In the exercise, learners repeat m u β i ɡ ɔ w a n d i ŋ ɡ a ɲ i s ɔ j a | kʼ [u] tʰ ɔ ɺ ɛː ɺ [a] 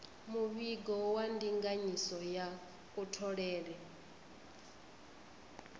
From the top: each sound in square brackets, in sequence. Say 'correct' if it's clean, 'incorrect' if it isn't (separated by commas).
correct, incorrect